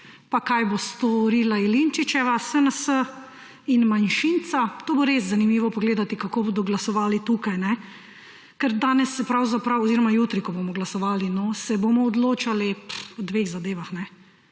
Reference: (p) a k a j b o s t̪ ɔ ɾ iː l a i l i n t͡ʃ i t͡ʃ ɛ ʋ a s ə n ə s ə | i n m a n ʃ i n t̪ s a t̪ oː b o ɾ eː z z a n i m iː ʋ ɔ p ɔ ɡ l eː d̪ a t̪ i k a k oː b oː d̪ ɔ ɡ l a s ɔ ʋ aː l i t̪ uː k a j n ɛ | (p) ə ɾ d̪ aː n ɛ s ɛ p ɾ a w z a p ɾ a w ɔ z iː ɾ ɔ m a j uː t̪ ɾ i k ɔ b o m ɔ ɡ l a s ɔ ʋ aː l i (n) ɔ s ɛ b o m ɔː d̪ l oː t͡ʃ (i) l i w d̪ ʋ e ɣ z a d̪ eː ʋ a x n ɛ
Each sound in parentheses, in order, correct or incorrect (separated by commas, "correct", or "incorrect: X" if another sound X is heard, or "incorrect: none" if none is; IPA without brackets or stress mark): correct, incorrect: k, correct, incorrect: a